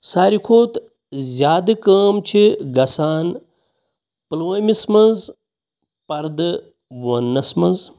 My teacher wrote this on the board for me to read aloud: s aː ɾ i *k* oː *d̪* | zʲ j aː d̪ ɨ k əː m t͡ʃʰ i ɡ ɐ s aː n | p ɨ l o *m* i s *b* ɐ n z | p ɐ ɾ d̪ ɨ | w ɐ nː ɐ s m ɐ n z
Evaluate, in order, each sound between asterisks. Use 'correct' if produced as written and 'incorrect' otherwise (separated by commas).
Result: incorrect, incorrect, correct, incorrect